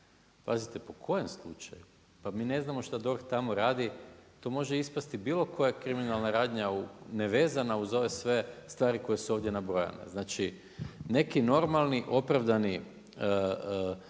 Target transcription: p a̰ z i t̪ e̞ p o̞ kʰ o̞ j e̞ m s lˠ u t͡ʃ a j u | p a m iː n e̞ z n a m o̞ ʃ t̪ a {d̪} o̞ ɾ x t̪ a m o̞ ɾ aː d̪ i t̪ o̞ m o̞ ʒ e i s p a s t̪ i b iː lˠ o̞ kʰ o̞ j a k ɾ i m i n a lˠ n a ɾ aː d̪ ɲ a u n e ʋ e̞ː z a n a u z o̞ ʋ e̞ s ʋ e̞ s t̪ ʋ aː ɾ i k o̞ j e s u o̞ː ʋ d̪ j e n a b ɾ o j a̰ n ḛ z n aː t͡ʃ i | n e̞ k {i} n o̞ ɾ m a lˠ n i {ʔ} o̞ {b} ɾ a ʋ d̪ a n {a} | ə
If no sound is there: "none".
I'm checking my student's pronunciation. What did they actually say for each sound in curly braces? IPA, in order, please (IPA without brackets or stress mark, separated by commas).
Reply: d̪, i, ʔ, p, i